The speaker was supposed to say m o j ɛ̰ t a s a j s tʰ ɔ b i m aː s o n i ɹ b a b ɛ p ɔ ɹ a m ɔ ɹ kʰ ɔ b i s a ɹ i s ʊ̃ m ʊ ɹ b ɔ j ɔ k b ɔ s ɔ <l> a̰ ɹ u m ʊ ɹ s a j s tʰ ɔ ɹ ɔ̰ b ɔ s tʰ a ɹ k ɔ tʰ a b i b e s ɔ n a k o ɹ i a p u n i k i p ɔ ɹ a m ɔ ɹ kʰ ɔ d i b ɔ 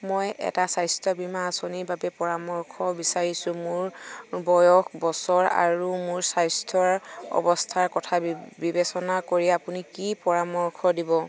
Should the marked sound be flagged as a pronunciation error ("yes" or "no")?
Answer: yes